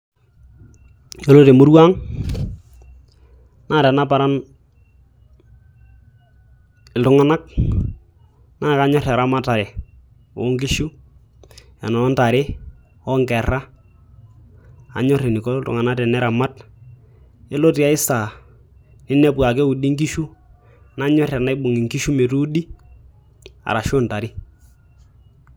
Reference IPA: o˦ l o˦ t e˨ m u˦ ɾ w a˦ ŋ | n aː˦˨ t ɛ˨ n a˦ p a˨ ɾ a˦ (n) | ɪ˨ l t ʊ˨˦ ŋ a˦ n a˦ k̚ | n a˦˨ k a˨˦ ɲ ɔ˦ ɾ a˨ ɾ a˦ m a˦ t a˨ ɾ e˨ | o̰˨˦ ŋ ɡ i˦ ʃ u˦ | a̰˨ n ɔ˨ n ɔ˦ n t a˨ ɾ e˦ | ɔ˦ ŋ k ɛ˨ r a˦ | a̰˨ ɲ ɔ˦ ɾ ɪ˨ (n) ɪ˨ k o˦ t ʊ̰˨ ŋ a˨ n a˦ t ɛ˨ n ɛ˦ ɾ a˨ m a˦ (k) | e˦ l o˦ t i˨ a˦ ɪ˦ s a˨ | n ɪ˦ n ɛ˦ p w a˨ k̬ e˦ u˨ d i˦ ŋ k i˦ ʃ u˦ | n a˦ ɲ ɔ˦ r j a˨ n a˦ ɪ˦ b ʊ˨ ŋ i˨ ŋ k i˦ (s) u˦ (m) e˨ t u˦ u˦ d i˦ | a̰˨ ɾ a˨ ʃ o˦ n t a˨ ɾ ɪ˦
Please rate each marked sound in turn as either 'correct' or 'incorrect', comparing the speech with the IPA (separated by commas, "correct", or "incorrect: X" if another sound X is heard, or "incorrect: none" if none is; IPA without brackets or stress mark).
correct, correct, incorrect: t, incorrect: ʃ, correct